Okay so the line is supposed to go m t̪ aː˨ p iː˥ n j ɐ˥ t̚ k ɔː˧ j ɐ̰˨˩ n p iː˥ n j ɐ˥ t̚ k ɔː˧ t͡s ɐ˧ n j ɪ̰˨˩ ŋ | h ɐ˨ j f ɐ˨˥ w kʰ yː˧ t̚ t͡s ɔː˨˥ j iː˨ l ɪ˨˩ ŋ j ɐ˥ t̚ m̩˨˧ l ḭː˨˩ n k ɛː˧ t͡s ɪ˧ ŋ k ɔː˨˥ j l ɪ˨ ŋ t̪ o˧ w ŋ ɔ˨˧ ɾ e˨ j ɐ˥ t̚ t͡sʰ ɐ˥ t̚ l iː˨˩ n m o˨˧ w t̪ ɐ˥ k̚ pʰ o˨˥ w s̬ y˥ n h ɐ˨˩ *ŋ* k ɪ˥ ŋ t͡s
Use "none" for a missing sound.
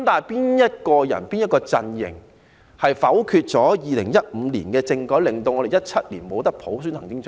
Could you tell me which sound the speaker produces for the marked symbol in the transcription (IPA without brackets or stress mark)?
ŋ